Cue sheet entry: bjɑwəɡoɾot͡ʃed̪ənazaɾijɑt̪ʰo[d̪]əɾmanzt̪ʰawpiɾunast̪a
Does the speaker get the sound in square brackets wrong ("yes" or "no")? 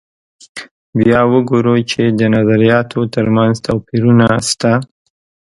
yes